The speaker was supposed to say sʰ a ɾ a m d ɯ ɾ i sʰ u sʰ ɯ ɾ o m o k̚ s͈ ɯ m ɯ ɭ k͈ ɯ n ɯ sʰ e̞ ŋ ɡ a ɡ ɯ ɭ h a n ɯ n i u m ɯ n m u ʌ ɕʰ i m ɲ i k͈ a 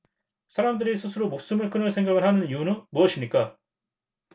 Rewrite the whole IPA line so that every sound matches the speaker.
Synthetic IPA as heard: sʰ a ɾ a m d ɯ ɾ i sʰ u sʰ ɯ ɾ o m o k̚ s͈ ɯ m ɯ ɭ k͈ ɯ n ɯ sʰ e̞ ŋ ɡ a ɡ ɯ ɭ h a n ɯ n i u n ɯ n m u ʌ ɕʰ i m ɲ i k͈ a